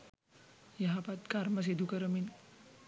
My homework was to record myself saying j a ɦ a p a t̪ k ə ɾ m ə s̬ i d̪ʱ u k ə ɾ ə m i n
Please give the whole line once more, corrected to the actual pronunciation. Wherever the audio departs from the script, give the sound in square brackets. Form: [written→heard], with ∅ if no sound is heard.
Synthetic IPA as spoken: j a ɦ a p a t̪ k [ə→a] ɾ m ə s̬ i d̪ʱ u k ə ɾ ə m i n